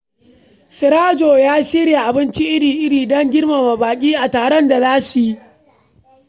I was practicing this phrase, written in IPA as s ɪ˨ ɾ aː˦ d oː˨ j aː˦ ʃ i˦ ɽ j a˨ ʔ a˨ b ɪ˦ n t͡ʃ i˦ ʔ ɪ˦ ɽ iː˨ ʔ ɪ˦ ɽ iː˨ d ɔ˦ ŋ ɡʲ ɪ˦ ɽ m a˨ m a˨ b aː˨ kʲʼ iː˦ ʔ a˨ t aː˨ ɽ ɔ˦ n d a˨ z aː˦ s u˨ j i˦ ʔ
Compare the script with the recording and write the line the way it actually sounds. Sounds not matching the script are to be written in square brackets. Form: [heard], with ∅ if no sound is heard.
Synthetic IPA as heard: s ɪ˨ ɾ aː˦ [d͡ʒ] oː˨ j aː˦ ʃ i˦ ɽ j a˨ ʔ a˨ b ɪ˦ n t͡ʃ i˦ ʔ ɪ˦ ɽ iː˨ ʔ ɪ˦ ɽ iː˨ d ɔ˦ ŋ ɡʲ ɪ˦ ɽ m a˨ m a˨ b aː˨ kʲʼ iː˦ ʔ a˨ t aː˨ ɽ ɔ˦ n d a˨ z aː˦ s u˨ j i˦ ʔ